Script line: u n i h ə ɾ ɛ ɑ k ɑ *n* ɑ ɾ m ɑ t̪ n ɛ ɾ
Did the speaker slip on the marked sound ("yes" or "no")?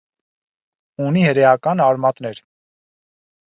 no